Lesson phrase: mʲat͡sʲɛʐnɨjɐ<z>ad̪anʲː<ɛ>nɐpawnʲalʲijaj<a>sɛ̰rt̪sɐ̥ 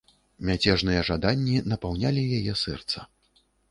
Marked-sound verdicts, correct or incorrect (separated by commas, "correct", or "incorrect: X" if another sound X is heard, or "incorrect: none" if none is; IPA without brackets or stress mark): incorrect: ʐ, incorrect: i, incorrect: ɛ